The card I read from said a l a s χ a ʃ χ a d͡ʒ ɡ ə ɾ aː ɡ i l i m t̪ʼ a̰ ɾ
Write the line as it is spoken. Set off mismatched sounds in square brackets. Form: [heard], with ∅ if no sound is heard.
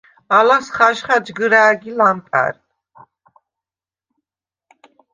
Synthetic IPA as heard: a l a s χ a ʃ χ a d͡ʒ ɡ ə ɾ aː ɡ i l [a] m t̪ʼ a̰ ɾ